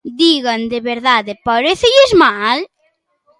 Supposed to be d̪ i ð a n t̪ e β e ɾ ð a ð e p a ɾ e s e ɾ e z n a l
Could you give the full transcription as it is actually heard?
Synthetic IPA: d̪ i ɣ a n d̪ e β e ɾ ð a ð e p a ɾ e θ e ʎ e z m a l